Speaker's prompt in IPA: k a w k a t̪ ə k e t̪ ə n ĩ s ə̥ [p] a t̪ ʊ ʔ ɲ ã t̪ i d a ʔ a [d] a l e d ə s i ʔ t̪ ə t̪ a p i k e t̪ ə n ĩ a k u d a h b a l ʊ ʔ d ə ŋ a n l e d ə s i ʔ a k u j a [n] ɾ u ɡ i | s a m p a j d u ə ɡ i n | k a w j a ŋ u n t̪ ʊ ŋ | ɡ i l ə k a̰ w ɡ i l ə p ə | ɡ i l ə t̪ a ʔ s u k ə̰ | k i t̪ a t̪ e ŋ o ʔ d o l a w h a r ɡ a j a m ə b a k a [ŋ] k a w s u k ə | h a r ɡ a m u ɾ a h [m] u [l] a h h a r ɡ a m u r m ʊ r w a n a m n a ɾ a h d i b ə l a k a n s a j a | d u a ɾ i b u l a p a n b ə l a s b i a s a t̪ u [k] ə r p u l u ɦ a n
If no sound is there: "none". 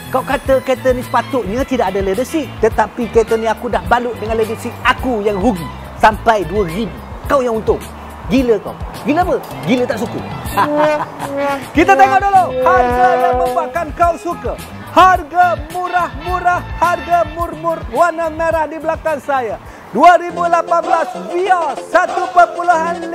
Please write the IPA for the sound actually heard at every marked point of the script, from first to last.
p, d, ŋ, n, m, ɾ, p

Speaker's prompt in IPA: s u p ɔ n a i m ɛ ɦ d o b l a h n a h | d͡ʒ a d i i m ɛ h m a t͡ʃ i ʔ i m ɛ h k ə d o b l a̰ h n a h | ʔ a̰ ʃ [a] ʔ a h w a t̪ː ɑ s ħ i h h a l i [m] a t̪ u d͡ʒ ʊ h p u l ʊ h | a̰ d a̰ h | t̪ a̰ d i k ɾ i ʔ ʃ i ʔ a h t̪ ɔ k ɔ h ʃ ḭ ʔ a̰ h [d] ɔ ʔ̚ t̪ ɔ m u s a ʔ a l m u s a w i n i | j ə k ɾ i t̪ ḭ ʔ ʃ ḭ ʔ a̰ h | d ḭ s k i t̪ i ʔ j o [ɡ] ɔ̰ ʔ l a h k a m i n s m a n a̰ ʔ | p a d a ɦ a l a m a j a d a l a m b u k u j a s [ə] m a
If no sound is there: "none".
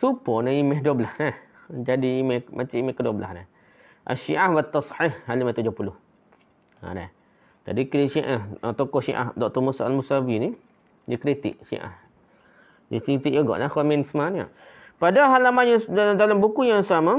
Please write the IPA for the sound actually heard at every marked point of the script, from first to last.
i, m, d, ɡ, a

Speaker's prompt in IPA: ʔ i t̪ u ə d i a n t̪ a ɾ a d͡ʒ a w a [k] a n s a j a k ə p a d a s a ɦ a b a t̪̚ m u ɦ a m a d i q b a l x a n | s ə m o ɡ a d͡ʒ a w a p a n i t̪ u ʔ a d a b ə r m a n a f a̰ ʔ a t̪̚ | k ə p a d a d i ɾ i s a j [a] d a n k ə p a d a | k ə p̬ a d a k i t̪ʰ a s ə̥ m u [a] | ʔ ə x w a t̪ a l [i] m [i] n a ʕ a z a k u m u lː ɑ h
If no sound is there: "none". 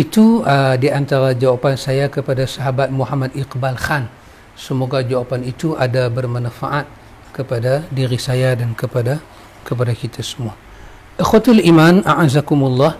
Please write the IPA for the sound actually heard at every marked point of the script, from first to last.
p, a, a, i, a

